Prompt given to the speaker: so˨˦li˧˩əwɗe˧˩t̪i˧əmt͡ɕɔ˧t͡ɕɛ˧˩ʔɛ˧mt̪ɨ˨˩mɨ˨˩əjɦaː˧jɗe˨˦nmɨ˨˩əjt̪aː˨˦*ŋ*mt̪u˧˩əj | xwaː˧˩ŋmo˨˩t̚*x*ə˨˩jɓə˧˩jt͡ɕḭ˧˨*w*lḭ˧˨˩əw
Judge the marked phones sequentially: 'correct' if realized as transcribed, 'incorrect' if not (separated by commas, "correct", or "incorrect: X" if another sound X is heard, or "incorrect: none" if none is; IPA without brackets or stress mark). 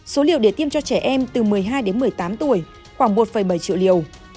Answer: incorrect: none, incorrect: f, correct